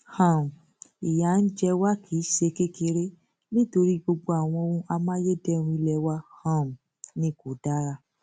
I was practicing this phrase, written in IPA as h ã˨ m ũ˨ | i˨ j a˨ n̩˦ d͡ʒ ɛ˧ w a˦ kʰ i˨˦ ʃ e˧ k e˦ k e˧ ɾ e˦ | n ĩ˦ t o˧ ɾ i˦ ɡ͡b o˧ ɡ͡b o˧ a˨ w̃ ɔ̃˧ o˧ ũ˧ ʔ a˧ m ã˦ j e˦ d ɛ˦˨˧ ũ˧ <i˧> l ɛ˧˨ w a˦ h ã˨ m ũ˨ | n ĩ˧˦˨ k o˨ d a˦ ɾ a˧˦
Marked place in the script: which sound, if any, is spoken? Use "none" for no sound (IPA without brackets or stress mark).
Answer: i˧